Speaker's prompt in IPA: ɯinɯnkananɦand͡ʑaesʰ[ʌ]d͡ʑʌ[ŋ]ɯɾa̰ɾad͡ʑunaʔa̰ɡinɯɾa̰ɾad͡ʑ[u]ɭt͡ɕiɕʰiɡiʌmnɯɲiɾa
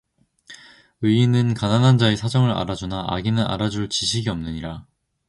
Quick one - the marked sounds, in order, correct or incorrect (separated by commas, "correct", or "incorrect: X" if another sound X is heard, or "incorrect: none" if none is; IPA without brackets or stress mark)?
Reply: incorrect: a, correct, correct